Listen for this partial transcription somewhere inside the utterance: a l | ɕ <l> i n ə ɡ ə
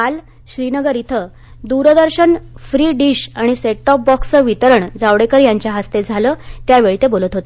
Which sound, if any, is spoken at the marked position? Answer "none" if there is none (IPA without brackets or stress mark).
ɾ